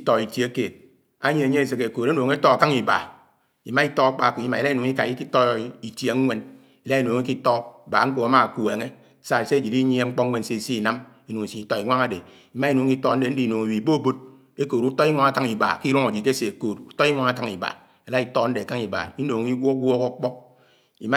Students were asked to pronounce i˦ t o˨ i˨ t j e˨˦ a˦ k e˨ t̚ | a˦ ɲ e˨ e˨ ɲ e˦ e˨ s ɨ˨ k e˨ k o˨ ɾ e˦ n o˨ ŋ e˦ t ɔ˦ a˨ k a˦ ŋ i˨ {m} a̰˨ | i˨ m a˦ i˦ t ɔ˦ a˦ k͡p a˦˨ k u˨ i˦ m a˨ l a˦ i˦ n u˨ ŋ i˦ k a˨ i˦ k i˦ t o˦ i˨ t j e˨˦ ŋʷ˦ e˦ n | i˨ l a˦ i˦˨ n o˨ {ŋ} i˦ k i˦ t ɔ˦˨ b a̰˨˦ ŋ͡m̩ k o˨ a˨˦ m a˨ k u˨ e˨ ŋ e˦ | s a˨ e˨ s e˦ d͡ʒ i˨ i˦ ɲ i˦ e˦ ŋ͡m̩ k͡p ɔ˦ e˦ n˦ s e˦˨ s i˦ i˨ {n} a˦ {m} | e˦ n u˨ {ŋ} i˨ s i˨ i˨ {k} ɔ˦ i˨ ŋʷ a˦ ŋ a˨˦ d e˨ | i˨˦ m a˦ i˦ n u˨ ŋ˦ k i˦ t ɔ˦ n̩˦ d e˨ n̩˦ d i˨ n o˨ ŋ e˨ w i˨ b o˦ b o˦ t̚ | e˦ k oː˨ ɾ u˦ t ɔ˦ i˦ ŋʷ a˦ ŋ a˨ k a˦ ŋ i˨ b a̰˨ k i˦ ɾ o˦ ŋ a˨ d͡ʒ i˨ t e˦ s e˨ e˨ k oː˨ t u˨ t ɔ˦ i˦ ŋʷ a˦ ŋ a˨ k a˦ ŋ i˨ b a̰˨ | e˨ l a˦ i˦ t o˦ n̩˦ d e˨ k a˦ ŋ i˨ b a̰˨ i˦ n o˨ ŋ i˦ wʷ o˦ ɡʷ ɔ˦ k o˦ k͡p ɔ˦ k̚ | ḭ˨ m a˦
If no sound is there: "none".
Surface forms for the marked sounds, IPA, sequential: b, ŋ, n, m, ŋ, t

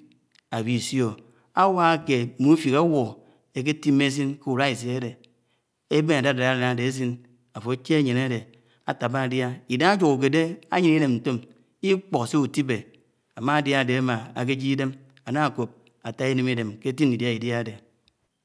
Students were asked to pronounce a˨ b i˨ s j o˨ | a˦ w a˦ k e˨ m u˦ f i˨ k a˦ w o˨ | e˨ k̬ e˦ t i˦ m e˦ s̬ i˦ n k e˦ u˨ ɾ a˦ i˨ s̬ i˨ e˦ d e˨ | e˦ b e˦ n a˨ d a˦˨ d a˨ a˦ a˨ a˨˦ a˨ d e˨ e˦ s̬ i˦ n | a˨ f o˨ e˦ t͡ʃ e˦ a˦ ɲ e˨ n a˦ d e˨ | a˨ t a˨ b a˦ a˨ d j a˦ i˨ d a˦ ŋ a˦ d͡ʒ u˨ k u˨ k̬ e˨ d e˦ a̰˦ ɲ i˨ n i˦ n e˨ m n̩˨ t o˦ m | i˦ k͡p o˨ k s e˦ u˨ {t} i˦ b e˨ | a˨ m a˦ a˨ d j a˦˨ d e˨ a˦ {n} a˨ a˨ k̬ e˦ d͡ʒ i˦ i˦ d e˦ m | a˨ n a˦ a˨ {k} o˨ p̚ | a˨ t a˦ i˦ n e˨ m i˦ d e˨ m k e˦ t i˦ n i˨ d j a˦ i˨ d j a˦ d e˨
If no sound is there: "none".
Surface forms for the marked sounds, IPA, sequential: t, m, k

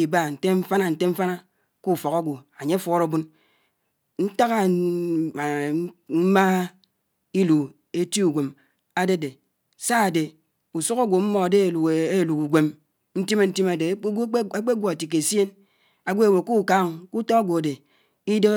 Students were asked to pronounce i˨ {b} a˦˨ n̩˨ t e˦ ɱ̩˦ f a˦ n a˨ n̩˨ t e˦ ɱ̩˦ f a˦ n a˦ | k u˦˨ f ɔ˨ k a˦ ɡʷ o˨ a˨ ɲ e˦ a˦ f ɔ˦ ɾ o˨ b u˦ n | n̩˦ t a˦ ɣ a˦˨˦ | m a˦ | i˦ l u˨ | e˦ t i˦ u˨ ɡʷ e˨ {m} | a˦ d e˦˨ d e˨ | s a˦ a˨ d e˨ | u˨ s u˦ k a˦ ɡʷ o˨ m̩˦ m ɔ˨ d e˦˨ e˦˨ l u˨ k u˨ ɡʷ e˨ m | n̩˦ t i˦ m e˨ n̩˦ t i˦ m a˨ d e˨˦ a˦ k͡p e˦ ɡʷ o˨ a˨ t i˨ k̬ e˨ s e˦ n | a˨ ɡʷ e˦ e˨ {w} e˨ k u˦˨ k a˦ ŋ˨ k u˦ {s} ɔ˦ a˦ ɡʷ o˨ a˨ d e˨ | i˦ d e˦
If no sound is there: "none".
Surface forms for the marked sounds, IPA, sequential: b, m, w, t

